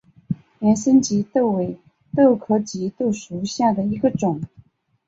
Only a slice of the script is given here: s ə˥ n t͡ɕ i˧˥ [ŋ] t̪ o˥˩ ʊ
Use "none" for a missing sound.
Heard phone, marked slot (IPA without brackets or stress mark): none